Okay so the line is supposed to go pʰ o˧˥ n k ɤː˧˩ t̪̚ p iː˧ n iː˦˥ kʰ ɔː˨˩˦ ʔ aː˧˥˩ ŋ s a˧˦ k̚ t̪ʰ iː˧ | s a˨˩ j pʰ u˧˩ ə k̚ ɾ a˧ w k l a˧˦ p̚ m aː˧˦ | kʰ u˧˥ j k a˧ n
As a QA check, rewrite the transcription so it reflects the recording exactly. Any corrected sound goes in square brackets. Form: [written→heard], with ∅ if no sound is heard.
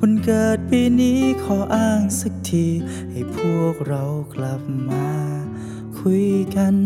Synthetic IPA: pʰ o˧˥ n k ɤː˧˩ t̪̚ p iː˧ n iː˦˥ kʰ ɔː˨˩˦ ʔ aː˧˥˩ ŋ s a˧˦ k̚ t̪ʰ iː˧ | [s→h] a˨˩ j pʰ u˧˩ ə k̚ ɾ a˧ w k l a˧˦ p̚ m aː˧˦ | kʰ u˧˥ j k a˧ n